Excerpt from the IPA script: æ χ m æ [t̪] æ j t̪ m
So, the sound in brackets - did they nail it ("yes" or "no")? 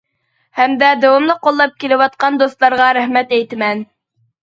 yes